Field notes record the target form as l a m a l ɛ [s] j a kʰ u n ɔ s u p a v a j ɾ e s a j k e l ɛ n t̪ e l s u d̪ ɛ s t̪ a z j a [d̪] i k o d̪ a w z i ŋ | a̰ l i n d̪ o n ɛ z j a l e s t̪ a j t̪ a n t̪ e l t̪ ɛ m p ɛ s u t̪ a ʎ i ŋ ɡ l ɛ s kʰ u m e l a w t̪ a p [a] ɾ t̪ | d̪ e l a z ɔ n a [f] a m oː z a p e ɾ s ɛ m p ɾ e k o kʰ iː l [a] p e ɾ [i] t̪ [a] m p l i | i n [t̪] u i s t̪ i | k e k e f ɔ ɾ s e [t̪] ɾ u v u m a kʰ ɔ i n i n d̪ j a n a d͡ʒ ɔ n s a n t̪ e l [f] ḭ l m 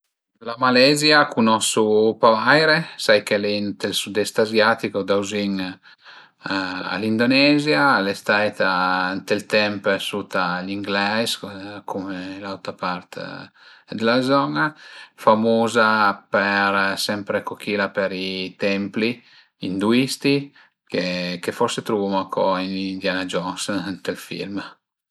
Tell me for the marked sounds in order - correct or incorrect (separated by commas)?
incorrect, incorrect, correct, correct, correct, correct, incorrect, incorrect, correct, correct